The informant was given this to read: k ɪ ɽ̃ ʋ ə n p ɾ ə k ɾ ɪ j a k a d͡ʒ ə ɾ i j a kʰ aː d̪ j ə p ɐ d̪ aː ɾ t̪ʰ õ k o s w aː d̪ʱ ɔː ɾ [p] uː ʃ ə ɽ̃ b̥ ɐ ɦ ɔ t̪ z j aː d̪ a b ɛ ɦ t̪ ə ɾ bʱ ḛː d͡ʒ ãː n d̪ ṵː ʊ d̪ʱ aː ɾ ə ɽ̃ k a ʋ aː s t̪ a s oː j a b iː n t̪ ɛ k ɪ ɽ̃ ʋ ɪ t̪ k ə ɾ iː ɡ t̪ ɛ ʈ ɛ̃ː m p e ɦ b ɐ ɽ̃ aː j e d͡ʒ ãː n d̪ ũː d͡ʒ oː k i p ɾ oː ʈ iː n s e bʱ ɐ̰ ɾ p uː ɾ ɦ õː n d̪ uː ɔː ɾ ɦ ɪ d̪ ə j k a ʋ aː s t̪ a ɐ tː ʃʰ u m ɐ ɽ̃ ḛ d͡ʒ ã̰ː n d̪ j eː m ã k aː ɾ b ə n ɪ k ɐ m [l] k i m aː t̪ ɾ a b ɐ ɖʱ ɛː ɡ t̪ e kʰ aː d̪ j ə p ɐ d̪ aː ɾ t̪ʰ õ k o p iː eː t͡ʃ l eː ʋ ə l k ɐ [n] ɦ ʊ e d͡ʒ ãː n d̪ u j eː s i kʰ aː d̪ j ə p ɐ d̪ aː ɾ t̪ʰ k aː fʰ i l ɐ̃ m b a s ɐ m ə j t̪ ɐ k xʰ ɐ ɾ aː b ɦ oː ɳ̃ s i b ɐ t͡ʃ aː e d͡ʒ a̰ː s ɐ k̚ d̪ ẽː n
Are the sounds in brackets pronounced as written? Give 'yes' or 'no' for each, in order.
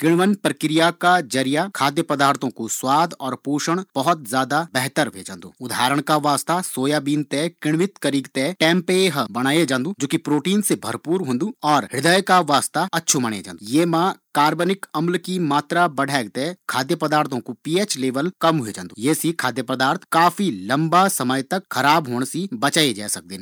yes, yes, no

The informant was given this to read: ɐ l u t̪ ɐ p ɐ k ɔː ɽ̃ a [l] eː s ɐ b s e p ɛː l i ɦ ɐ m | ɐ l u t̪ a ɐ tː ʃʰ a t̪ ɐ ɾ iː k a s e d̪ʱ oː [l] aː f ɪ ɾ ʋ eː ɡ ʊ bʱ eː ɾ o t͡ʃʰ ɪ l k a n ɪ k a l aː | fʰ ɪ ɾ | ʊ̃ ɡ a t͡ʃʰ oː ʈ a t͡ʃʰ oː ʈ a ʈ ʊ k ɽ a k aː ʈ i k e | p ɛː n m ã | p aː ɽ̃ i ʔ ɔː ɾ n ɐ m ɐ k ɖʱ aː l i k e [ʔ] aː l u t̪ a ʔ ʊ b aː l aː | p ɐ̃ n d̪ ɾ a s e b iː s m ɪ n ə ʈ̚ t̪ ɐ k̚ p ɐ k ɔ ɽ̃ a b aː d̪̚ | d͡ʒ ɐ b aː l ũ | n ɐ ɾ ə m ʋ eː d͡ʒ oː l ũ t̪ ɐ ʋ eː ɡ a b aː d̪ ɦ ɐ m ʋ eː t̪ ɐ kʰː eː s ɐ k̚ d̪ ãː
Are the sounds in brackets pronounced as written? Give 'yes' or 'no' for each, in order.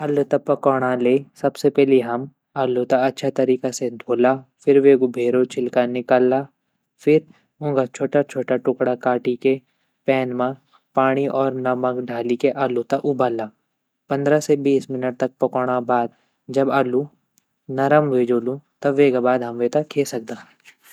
yes, yes, yes

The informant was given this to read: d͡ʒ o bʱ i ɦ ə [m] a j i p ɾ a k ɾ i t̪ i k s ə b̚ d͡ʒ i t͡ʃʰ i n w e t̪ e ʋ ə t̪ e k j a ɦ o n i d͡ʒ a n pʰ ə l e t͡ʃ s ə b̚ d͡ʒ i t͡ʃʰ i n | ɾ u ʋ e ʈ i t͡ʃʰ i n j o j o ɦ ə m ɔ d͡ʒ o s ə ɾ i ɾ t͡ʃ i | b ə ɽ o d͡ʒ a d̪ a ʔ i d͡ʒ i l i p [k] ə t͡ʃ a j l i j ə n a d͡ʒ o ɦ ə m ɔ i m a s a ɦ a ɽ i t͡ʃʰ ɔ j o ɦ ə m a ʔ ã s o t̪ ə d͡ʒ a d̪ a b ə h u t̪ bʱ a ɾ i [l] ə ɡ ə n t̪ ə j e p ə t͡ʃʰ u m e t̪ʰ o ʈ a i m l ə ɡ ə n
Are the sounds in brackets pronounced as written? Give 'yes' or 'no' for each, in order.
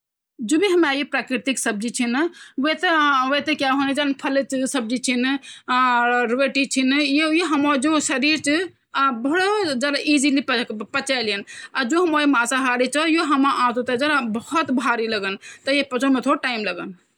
yes, no, yes

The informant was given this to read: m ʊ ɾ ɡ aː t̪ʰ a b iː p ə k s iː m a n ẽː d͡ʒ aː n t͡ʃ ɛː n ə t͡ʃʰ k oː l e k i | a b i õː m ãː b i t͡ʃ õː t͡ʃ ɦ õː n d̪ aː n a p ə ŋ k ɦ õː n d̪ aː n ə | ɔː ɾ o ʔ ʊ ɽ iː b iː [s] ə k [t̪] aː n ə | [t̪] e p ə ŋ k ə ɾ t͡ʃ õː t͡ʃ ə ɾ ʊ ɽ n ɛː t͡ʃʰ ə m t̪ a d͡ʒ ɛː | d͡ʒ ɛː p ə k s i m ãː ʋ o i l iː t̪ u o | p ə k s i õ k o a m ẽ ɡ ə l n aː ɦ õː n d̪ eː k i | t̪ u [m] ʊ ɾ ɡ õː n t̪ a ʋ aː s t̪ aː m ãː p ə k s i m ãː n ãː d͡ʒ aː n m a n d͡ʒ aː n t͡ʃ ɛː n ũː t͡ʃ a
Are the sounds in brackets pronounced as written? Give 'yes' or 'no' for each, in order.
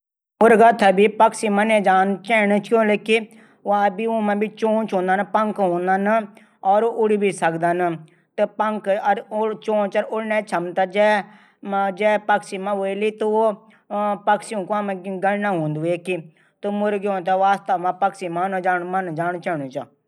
yes, no, yes, yes

